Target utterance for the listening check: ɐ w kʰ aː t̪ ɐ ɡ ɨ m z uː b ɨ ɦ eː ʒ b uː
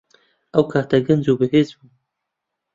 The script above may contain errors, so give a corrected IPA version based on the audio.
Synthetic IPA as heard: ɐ w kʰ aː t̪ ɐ ɡ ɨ n z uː b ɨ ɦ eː z b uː